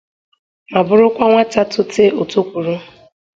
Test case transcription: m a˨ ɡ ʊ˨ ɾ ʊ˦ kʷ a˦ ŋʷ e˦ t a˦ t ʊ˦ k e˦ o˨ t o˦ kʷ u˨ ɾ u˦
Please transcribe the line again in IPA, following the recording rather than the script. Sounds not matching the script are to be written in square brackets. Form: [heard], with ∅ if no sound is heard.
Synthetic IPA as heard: m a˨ [b] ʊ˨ ɾ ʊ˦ kʷ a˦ ŋʷ [a˦] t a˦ t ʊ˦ [t] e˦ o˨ t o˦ kʷ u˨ ɾ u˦